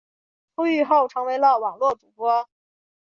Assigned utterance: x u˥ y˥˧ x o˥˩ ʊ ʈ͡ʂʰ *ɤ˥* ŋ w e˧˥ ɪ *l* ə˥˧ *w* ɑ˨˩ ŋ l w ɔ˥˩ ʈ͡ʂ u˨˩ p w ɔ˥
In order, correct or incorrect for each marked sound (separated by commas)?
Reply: incorrect, correct, correct